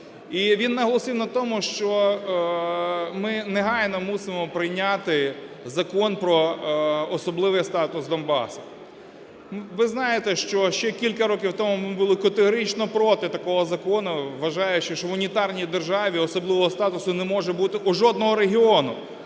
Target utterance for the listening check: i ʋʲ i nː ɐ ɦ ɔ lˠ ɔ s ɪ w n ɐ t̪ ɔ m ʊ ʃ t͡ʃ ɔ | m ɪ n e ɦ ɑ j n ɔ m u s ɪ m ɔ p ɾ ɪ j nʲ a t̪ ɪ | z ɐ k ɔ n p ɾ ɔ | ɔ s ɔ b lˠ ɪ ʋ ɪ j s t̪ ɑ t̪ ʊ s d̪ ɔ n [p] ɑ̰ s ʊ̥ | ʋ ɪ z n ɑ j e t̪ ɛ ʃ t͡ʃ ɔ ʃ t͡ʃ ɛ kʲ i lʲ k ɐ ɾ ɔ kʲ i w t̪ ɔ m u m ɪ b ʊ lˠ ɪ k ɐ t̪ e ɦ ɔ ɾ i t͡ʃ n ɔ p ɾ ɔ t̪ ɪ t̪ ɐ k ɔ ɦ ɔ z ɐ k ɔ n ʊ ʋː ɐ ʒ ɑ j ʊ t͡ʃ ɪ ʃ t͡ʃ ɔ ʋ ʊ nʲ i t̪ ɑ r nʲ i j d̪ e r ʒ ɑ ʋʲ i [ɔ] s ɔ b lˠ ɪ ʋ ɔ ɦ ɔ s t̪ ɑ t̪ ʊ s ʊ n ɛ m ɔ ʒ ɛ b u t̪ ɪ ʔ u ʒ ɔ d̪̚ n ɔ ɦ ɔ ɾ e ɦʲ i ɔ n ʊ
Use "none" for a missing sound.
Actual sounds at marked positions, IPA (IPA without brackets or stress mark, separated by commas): b, ɔ